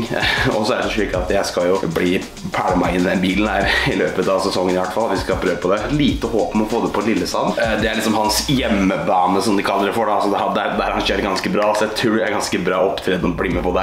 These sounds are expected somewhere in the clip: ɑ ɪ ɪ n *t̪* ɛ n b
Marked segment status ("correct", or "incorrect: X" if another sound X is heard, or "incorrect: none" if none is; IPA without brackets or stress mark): incorrect: d̪